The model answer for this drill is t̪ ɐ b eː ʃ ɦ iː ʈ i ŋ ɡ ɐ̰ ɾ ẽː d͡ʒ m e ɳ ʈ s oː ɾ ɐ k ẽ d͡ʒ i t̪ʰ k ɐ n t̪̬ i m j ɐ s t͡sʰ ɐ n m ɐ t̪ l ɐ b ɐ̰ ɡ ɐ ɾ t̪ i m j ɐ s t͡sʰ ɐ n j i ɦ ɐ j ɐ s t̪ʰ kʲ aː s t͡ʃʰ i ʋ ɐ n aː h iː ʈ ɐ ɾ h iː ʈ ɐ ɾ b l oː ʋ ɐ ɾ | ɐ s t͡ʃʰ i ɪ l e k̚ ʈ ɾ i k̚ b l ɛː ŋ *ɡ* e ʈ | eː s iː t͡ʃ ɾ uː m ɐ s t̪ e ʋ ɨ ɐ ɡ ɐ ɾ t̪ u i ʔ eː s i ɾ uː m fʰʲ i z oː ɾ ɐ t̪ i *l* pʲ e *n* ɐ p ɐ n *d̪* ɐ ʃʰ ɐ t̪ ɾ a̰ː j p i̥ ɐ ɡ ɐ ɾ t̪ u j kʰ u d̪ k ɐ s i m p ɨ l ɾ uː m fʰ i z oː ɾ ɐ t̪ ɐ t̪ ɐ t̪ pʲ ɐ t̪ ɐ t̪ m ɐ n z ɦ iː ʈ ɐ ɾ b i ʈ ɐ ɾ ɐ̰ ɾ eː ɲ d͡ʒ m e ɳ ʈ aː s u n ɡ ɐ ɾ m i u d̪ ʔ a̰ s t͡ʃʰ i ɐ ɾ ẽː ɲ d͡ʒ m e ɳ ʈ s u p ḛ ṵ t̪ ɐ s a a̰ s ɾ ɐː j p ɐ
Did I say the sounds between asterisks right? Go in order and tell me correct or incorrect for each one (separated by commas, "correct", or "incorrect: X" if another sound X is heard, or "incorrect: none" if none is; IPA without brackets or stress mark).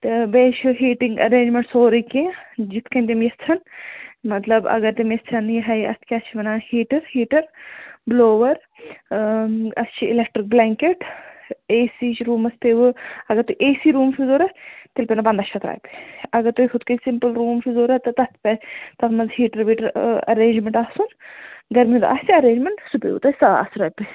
incorrect: k, correct, correct, correct